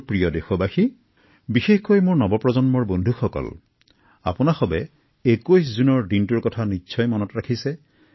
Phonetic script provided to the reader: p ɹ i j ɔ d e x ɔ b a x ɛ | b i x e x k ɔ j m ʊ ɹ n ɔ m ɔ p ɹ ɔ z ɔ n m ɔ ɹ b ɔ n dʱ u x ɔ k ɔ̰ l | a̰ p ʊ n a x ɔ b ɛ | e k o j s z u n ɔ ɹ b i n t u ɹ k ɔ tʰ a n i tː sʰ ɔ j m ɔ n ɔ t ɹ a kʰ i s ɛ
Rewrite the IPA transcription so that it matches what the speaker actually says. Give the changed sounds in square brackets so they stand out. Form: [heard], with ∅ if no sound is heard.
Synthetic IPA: p ɹ i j ɔ d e x ɔ b a x [i] | b i x e x k [o] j m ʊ ɹ n ɔ [b] ɔ p ɹ ɔ z ɔ n m ɔ ɹ b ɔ n dʱ u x ɔ k ɔ̰ l | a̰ p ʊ n a x ɔ b ɛ | e k o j s z u n ɔ ɹ [d] i n t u ɹ k ɔ tʰ a n i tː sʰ ɔ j m ɔ n ɔ t ɹ a kʰ i s ɛ